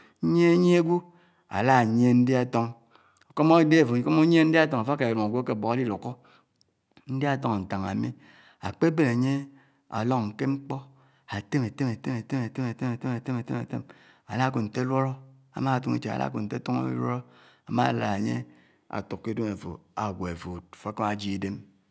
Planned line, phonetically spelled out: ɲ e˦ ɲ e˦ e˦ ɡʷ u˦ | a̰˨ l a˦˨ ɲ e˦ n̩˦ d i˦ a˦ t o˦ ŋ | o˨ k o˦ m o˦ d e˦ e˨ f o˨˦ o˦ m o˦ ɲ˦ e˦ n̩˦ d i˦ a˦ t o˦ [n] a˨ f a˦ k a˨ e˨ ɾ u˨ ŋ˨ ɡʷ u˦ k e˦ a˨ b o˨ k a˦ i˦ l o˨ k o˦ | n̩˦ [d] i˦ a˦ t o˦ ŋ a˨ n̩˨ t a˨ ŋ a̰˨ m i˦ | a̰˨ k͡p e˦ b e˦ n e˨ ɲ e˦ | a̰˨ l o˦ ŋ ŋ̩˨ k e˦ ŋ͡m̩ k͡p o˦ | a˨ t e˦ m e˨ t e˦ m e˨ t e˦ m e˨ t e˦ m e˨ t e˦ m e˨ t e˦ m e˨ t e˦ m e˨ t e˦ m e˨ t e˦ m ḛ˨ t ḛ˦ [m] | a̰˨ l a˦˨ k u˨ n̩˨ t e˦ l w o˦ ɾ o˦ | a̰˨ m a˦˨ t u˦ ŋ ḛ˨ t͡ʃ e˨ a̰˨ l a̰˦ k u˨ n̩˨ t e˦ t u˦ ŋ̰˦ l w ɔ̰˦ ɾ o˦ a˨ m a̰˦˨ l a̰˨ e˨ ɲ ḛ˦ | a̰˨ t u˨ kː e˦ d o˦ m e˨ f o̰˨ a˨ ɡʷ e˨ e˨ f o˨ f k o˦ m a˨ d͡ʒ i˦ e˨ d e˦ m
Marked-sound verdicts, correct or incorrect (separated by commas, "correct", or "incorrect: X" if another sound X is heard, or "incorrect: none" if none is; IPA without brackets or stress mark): incorrect: ŋ, correct, correct